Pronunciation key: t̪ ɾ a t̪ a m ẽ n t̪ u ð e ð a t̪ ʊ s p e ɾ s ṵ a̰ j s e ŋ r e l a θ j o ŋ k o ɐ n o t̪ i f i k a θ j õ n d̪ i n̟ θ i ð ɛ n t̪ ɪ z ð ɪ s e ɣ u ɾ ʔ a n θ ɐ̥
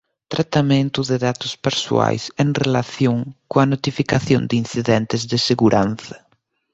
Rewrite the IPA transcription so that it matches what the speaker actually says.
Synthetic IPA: t̪ ɾ a t̪ a m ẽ n t̪ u ð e ð a t̪ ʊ s p e ɾ s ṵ a̰ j s e ŋ r e l a θ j o ŋ k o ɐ n o t̪ i f i k a θ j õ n d̪ i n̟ θ i ð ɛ n t̪ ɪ z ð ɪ s e ɣ u ɾ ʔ a n θ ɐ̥

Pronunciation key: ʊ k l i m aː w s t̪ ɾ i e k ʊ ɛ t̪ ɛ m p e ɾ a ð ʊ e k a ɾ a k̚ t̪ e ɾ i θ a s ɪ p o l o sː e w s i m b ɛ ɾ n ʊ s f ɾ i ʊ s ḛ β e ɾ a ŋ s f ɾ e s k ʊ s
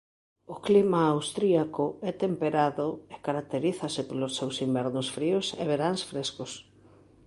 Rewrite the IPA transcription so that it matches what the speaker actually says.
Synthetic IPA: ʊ k l i m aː w s t̪ ɾ i a k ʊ ɛ t̪ e m p e ɾ a ð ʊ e k a ɾ a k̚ t̪ e ɾ i θ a s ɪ p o l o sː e w s i m b ɛ ɾ n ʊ s f ɾ i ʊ s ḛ β e ɾ a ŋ s f ɾ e s k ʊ s

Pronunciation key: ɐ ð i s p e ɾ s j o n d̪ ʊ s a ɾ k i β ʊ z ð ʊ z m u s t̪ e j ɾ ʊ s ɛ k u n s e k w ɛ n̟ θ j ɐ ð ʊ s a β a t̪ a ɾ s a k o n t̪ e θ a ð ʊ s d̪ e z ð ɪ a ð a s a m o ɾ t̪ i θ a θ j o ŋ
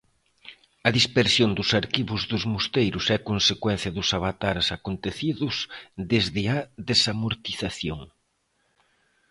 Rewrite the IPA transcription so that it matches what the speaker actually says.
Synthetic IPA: ɐ ð i s p e ɾ s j o n d̪ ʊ s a ɾ k i β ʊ z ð ʊ z m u s t̪ e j ɾ ʊ s ɛ k o n s e k w ɛ n̟ θ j ɐ ð ʊ s a β a t̪ a ɾ s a k o n t̪ e θ i ð ʊ s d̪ e z ð ɪ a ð e s a m o ɾ t̪ i θ a θ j o ŋ

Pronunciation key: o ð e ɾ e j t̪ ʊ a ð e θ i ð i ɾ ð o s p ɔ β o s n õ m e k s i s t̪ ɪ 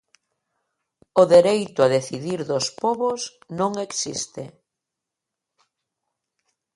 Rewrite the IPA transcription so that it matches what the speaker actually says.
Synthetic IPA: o ð e ɾ e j t̪ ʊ a ð e θ i ð i ɾ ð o s p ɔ β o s n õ ŋ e k s i s t̪ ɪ

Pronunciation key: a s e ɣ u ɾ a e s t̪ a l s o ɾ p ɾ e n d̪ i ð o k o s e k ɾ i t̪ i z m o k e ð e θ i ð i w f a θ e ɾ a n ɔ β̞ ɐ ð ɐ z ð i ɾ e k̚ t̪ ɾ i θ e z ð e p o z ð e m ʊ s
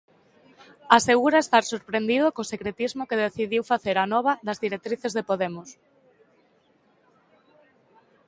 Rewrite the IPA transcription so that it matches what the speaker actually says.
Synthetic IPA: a s e ɣ u ɾ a e s t̪ a ɾ s o ɾ p ɾ e n d̪ i ð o k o s e k ɾ e t̪ i z m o k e ð e θ i ð i w f a θ e ɾ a n ɔ β̞ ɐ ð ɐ z ð i ɾ e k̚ t̪ ɾ i θ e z ð e p o ð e m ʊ s

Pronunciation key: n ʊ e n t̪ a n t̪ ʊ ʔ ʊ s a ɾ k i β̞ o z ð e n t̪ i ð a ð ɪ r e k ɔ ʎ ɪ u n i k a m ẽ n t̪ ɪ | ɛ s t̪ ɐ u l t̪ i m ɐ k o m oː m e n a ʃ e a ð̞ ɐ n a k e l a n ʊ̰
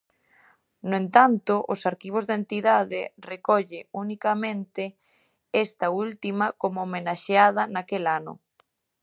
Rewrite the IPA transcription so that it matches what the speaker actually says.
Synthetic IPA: n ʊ e n t̪ a n t̪ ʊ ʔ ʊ s a ɾ k i β̞ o z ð e n t̪ i ð a ð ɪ r e k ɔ ʎ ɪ u n i k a m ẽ n t̪ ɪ | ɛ s t̪ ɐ u l t̪ i m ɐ k o m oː m e n a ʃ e a ð̞ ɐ n a k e l a n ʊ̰

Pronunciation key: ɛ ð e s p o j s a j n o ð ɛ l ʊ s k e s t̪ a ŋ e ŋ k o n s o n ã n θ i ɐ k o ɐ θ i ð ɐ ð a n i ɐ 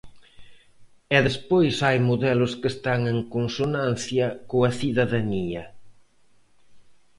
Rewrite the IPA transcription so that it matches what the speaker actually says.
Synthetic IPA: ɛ ð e s p o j s a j m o ð ɛ l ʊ s k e s t̪ a ŋ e ŋ k o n s o n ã n θ j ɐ k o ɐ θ i ð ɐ ð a n i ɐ

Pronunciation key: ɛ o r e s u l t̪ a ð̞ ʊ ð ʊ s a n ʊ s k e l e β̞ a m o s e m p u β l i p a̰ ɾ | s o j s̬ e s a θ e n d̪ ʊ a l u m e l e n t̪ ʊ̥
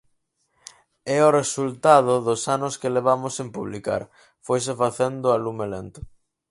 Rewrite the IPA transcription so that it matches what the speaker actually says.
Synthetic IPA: ɛ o r e s u l t̪ a ð̞ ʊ ð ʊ s a n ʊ s k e l e β̞ a m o s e m p u β l i k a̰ ɾ | f o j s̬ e f a θ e n d̪ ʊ a l u m e l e n t̪ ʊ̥

